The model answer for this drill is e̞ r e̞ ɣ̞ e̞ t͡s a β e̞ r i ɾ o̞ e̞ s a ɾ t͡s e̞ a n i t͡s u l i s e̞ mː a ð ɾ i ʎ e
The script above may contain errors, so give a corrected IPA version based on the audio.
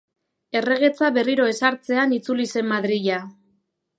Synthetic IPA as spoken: e̞ r e̞ ɣ̞ e̞ t͡s a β e̞ r i ɾ o̞ e̞ s a ɾ t͡s e̞ a n i t͡s u l i s e̞ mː a ð ɾ i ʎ a